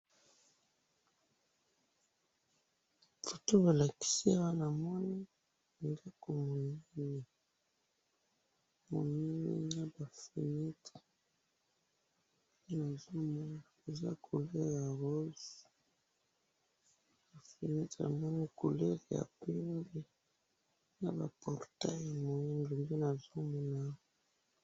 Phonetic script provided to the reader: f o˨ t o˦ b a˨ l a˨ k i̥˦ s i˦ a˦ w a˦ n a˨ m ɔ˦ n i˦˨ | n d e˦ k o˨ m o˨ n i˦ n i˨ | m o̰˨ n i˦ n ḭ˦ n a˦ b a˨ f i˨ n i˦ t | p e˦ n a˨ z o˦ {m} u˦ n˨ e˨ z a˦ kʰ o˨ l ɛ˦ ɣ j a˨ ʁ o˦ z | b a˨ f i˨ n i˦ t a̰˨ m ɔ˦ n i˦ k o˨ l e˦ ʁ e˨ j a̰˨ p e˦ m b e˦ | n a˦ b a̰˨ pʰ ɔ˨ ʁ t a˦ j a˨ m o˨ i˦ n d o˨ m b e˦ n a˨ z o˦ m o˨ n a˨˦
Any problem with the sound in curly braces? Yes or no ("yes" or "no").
no